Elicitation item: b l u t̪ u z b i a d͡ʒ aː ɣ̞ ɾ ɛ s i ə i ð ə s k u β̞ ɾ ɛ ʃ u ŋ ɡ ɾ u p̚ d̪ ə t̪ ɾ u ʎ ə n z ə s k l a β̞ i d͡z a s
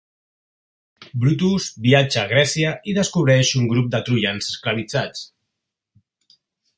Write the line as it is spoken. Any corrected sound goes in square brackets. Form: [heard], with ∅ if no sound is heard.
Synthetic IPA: b [ɾ] u t̪ u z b i a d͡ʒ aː ɣ̞ ɾ ɛ s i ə i ð ə s k u β̞ ɾ ɛ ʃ u ŋ ɡ ɾ u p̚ d̪ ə t̪ ɾ u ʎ [a] n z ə s k l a β̞ i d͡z a [t͡s]